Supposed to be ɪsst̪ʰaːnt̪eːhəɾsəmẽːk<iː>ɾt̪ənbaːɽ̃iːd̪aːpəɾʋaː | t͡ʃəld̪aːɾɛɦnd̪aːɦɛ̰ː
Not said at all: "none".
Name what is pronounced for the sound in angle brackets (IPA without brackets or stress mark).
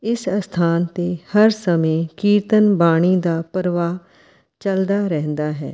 iː